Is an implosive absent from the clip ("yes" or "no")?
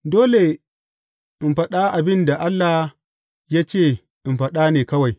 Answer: no